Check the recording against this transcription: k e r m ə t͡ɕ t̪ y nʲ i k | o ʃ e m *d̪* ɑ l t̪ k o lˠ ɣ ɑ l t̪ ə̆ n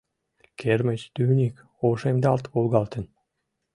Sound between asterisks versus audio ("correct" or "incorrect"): correct